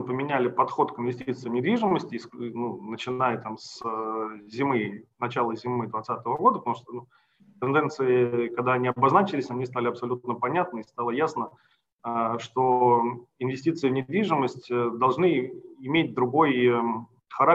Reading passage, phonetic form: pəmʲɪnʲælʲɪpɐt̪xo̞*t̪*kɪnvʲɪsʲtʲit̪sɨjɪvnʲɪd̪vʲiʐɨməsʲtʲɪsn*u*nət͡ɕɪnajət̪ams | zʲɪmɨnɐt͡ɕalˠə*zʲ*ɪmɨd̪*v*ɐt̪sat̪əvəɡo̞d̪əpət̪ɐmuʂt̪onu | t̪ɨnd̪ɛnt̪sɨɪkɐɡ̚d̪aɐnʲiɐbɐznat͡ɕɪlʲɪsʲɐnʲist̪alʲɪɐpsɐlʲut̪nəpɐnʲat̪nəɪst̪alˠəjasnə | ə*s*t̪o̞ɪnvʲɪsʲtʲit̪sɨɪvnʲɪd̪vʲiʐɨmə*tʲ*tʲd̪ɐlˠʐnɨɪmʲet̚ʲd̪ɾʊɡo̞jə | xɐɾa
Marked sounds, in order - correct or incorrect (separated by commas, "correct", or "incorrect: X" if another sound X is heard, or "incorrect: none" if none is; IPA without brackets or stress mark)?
correct, correct, correct, correct, incorrect: ʂ, incorrect: sʲ